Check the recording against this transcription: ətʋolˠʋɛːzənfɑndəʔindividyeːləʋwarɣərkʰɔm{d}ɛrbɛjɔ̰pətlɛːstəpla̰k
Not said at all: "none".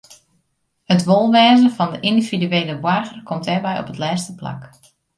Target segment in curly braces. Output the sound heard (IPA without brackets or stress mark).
t